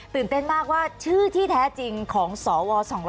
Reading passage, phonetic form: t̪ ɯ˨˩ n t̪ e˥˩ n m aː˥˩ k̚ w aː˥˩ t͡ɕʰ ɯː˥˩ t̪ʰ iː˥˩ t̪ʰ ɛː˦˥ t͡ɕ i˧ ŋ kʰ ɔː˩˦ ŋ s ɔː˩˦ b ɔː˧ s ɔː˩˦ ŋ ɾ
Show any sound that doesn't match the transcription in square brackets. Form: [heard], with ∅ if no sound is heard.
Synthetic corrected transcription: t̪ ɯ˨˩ n t̪ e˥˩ n m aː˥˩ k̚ w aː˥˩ t͡ɕʰ ɯː˥˩ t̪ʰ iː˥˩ t̪ʰ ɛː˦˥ t͡ɕ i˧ ŋ kʰ ɔː˩˦ ŋ s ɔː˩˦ [w] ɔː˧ s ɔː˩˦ ŋ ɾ